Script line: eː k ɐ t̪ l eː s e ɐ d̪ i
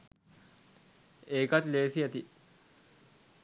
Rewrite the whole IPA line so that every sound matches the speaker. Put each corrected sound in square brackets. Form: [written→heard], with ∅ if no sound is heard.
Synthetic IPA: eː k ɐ t̪ l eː s [e→i] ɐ [d̪→t̪] i